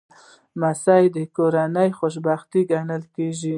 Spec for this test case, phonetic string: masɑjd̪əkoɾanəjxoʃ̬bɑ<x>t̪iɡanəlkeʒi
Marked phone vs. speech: correct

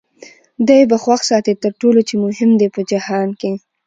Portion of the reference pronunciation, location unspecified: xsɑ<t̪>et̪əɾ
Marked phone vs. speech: correct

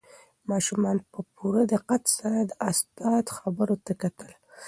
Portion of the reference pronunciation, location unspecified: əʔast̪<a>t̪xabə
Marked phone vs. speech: incorrect: ɑ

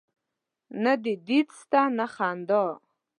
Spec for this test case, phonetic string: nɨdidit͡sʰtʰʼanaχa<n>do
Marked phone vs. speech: correct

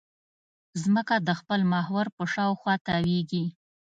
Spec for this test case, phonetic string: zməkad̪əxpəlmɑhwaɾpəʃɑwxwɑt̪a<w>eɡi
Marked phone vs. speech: correct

